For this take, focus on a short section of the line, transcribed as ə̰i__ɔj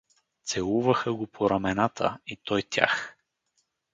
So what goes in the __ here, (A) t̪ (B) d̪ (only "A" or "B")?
A